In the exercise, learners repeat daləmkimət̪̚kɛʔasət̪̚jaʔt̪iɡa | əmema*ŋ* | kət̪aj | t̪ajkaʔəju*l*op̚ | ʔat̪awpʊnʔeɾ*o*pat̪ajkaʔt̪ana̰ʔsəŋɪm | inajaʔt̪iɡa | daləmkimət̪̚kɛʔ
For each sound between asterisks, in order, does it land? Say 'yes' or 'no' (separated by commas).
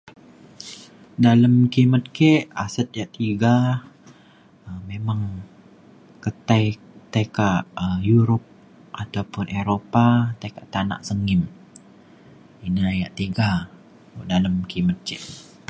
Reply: yes, no, yes